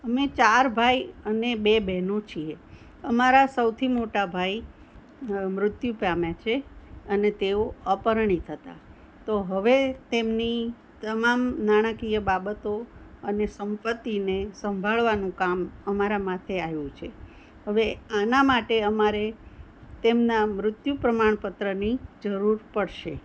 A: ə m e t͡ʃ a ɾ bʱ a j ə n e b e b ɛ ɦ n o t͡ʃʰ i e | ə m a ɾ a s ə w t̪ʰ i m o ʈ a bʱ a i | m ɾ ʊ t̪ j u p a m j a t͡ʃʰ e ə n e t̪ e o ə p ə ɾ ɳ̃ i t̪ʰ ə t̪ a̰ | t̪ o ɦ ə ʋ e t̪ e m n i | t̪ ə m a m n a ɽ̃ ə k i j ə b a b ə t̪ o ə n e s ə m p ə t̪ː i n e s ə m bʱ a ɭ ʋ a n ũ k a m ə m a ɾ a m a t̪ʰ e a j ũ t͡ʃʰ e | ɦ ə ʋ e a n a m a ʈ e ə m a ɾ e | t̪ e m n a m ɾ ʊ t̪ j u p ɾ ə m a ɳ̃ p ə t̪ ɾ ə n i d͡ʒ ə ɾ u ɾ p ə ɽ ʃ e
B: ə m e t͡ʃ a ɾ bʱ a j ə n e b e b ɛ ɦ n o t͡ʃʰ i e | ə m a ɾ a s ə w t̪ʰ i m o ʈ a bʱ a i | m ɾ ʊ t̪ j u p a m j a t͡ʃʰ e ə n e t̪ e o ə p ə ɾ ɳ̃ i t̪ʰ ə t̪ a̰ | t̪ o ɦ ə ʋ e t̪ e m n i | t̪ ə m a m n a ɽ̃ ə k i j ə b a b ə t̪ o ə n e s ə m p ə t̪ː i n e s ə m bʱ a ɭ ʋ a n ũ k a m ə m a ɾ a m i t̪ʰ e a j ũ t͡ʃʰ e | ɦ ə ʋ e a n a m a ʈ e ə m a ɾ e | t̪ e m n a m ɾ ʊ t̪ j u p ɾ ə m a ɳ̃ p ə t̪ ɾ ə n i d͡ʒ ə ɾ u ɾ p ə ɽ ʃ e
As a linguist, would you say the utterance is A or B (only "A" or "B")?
A